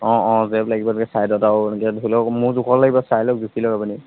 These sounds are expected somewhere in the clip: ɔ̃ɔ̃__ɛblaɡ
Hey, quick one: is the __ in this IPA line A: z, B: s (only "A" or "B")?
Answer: A